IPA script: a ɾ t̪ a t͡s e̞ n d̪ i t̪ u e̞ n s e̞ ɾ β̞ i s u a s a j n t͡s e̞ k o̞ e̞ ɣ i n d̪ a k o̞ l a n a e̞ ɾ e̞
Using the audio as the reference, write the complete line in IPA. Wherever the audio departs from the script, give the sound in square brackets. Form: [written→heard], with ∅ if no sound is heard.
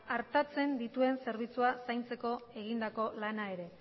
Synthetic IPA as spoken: a ɾ t̪ a t͡s e̞ n d̪ i t̪ u e̞ n s e̞ ɾ β̞ i [s→t͡s] u a s a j n t͡s e̞ k o̞ e̞ ɣ i n d̪ a k o̞ l a n a e̞ ɾ e̞